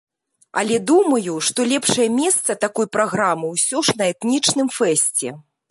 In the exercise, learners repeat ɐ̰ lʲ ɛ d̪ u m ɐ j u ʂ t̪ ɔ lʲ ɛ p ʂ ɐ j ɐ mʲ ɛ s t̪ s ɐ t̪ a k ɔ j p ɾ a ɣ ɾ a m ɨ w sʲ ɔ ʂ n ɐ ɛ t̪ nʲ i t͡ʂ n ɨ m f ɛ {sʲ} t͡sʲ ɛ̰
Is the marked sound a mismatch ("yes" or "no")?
no